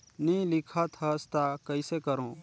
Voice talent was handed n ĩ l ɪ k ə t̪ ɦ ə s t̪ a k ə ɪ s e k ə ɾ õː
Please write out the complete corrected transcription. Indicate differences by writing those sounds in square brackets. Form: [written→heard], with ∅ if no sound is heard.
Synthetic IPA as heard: n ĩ l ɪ [k→kʰ] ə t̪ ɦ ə s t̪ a k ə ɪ s e k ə ɾ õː